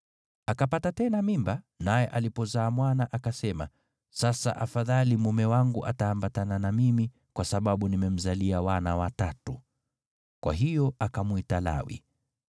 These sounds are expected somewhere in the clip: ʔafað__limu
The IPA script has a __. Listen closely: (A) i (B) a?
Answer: B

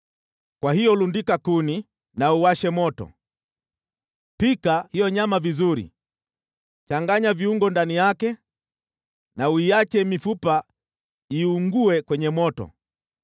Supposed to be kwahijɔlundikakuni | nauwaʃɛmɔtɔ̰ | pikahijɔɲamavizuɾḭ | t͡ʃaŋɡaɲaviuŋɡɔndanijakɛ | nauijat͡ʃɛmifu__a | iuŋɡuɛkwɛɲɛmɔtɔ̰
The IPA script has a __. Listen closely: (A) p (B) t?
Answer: A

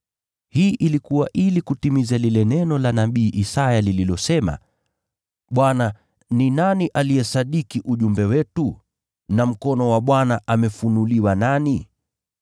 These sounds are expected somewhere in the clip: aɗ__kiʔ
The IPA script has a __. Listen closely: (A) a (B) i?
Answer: B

